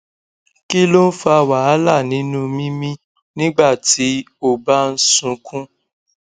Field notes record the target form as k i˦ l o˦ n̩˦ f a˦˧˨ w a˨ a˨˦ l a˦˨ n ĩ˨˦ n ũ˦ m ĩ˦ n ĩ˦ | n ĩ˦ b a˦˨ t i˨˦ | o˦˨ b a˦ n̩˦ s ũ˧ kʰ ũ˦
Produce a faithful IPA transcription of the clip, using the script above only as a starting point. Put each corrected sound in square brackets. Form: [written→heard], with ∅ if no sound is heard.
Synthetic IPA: k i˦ l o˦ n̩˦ f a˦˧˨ w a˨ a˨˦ l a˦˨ n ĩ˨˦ n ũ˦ m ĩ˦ [n→m] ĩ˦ | n ĩ˦ [b→ɡ͡b] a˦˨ t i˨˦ | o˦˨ b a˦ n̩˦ s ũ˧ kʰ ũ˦